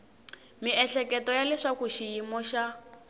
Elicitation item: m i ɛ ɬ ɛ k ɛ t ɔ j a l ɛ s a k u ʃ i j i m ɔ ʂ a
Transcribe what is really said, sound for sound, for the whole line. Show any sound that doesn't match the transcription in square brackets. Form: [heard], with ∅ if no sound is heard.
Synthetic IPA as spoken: m i ɛ ɬ ɛ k ɛ t ɔ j a l ɛ [ʂ] a k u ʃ i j i m ɔ [ʃ] a